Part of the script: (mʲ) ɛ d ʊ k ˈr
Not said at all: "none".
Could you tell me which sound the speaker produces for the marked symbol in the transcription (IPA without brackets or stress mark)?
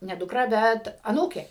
nʲ